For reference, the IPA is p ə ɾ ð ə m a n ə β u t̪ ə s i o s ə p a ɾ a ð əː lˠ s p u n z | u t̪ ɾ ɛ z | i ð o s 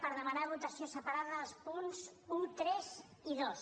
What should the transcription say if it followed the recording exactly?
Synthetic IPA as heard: p ə ɾ ð ə m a n a β u t̪ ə s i o s ə p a ɾ a ð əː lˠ s p u n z | u t̪ ɾ ɛ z | i ð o s